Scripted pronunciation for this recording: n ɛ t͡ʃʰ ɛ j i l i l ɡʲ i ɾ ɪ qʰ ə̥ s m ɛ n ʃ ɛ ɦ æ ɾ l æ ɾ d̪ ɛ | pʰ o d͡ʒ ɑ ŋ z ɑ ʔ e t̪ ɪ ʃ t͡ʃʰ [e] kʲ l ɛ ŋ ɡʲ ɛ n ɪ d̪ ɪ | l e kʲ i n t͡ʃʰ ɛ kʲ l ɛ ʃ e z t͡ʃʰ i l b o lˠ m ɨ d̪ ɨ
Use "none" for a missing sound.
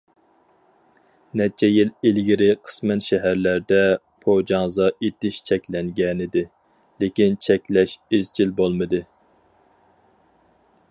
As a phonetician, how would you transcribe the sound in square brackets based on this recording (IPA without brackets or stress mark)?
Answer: ɛ